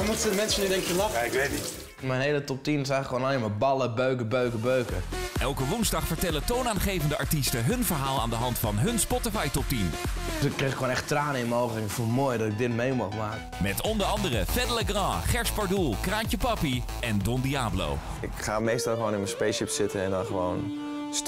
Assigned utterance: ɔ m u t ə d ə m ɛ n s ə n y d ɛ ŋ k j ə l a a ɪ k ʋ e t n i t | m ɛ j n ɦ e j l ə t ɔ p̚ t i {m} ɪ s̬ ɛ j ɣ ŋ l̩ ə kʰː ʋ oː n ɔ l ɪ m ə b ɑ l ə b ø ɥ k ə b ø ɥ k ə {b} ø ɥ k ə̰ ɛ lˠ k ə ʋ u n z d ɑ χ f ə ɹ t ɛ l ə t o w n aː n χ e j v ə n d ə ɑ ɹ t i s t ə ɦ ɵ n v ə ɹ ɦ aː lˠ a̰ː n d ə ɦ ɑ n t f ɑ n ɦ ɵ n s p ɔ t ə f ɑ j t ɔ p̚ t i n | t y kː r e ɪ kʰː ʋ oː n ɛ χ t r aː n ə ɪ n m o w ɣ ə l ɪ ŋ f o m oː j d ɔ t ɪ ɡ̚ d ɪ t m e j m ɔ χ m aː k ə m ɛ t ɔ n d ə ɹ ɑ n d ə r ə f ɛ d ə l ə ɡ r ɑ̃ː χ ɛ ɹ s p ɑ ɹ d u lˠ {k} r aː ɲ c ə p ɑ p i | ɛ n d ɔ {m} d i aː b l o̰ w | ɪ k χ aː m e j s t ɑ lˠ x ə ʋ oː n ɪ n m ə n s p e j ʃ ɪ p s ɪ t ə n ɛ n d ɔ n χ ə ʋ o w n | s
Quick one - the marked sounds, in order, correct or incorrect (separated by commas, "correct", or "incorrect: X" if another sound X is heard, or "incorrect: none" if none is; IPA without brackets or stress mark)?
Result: incorrect: n, correct, correct, incorrect: n